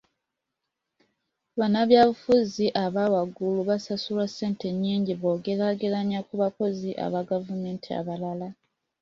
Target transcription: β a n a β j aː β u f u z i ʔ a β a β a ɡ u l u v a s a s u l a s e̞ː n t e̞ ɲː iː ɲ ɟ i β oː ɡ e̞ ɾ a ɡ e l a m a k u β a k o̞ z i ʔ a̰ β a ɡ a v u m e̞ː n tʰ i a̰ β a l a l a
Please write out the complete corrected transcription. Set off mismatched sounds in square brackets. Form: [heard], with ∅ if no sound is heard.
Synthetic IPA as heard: β a n a β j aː β u f u z i ʔ a β a [w] a ɡ u l u [β] a s a s u l a s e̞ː n t e̞ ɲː iː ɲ ɟ i β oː ɡ e̞ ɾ a ɡ e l a [ɲ] a k u β a k o̞ z i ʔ a̰ β a ɡ a v u m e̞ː n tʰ i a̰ β a l a l a